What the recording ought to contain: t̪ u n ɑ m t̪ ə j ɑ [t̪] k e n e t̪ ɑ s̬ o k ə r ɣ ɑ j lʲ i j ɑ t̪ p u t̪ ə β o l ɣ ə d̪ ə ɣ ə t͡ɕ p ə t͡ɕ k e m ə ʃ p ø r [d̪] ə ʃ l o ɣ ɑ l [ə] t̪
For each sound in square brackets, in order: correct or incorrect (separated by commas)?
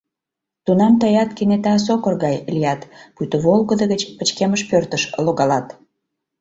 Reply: correct, incorrect, incorrect